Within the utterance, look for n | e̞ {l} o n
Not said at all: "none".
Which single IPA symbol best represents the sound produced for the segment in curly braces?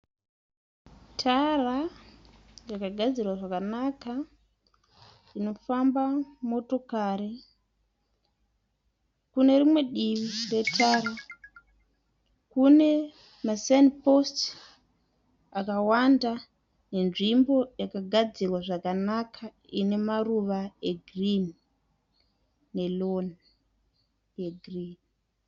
l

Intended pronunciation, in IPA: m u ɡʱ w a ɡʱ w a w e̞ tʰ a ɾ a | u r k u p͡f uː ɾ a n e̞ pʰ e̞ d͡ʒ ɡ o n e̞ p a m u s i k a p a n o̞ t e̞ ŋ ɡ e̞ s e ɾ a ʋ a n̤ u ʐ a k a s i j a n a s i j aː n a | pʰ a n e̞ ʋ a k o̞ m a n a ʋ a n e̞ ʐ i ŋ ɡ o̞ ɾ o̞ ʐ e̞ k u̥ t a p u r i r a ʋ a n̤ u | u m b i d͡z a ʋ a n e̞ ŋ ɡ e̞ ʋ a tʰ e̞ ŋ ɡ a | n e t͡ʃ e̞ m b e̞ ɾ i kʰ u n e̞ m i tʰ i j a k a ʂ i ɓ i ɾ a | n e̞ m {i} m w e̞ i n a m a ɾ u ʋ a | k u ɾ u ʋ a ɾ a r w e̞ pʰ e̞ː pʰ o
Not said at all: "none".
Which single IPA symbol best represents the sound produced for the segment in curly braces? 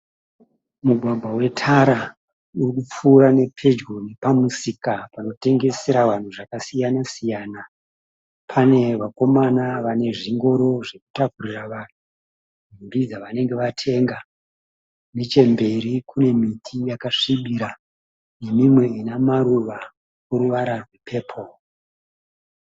i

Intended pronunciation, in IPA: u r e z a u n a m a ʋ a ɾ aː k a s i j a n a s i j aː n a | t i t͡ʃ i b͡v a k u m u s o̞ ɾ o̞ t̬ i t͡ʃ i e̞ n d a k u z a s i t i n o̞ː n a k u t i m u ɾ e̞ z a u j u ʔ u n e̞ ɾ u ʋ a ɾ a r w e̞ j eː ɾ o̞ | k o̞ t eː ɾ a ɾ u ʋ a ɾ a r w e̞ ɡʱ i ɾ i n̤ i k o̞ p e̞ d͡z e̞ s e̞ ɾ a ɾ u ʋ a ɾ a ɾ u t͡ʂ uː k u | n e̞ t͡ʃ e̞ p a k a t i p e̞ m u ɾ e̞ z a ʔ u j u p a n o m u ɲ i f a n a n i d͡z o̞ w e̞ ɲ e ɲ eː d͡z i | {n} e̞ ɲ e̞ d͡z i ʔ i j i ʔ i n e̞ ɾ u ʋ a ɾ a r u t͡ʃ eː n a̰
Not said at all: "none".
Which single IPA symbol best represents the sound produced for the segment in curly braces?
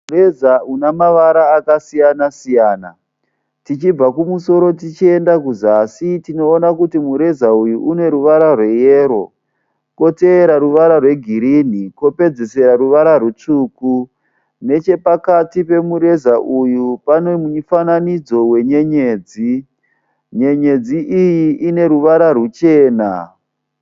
ɲ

